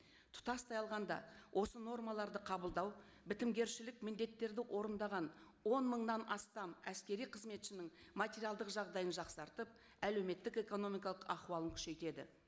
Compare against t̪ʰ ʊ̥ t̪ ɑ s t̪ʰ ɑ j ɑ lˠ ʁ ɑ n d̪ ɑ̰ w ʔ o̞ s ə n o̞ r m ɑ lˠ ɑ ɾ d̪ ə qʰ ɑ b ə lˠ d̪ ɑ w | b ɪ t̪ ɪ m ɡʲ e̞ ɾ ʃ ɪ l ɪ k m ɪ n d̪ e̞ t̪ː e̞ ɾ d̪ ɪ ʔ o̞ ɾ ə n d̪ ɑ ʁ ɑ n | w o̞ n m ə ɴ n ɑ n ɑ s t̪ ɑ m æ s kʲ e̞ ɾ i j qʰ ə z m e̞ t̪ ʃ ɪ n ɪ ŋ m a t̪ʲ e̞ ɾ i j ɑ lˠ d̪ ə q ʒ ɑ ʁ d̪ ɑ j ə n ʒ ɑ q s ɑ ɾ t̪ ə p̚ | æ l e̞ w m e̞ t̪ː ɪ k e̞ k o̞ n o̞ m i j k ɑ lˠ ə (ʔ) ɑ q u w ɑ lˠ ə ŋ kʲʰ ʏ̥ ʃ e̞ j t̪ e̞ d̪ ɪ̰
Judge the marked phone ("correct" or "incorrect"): incorrect